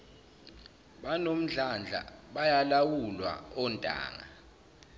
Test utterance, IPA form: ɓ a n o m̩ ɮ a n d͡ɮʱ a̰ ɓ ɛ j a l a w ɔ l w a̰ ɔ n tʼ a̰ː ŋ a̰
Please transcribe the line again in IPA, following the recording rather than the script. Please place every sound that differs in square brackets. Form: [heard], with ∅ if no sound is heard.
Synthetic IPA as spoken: ɓ a n o m̩ ɮ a n d͡ɮʱ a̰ ɓ [a] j a l a w [u] l w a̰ ɔ n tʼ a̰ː ŋ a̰